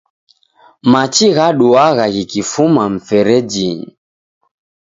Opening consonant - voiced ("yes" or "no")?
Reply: yes